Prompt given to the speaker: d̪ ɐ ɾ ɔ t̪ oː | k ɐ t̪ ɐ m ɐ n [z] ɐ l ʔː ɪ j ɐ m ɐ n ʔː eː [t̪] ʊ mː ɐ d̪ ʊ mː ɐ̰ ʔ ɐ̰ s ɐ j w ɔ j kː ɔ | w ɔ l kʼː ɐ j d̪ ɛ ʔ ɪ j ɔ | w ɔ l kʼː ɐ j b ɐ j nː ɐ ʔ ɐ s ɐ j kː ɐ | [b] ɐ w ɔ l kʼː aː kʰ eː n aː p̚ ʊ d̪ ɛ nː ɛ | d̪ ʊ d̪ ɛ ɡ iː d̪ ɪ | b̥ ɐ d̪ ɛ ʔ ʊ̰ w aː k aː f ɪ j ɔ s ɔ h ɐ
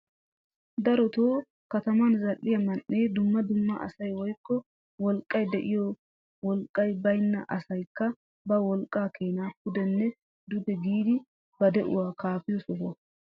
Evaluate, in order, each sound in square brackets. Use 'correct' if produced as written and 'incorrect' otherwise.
correct, incorrect, correct

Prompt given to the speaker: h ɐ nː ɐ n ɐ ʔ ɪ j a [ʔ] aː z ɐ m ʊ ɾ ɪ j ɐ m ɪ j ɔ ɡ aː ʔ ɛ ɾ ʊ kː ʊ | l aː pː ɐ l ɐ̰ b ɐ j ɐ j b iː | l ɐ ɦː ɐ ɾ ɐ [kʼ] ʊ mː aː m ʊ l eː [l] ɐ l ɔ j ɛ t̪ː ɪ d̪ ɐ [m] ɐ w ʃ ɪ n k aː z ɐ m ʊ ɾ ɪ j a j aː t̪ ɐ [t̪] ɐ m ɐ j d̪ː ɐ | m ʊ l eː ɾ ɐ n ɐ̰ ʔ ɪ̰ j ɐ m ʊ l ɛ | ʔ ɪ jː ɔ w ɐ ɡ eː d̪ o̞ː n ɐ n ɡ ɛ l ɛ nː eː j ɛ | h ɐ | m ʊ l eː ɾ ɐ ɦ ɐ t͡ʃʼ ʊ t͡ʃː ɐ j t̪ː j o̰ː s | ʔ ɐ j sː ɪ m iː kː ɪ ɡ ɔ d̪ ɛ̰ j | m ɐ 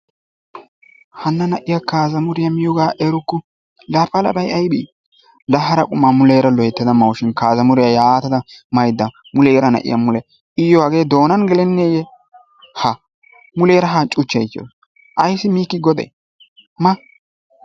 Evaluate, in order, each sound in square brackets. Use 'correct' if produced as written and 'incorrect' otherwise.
incorrect, correct, incorrect, correct, incorrect

